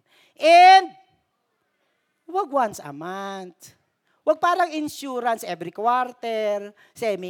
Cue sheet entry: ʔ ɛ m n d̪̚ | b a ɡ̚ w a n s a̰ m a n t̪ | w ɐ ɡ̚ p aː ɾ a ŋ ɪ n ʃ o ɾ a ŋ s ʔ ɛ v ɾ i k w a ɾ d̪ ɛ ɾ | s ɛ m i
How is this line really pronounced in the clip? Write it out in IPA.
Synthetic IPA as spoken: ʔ ɛ n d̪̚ | w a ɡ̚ w a n s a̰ m a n t̪ | w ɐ ɡ̚ p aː ɾ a ŋ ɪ n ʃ u ɾ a n s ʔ ɛ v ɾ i k w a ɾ t̪ ɛ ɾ | s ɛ m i